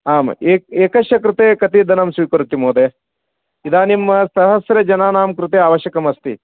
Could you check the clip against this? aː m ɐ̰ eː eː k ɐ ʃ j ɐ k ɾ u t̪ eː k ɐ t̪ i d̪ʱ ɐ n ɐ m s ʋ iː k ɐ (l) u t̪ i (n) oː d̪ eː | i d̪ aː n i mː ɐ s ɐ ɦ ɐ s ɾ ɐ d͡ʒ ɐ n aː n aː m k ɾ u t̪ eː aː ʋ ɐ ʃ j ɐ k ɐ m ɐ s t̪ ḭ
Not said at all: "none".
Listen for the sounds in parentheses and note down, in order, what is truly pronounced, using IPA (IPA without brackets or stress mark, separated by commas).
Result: ɾ, m